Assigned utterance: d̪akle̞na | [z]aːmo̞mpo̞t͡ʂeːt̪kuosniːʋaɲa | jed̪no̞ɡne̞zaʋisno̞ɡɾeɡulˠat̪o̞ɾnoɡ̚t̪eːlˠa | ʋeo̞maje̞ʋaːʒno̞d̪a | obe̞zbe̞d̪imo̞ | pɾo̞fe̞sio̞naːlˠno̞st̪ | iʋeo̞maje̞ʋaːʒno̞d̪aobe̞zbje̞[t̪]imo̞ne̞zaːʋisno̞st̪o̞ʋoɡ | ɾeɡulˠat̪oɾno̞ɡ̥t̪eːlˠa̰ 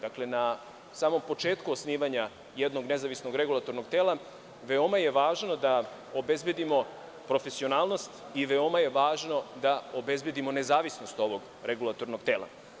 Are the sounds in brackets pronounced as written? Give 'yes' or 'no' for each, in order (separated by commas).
no, no